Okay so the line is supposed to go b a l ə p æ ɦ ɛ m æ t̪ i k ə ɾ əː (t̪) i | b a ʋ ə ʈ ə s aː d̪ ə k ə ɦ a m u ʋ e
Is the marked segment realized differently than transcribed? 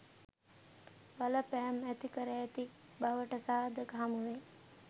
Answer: no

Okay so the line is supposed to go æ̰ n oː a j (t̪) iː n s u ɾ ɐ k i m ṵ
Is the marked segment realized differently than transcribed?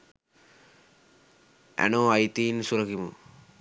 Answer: no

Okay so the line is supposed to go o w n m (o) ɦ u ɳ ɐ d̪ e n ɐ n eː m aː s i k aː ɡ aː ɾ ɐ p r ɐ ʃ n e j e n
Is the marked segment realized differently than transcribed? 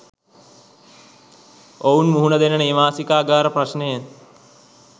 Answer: yes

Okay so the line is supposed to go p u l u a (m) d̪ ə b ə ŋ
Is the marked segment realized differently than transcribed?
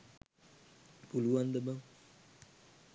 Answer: yes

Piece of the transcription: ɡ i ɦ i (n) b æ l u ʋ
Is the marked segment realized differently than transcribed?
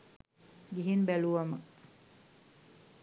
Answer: no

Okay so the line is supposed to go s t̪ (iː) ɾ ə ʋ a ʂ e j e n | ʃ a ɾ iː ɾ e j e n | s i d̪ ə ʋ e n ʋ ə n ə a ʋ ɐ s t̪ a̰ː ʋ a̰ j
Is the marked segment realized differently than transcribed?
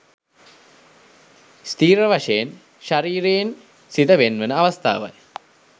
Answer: no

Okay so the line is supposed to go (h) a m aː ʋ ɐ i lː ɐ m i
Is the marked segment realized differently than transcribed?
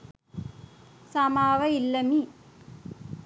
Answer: yes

